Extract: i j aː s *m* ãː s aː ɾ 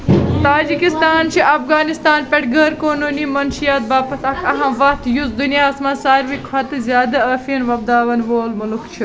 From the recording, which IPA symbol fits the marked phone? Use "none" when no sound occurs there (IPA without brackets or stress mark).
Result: m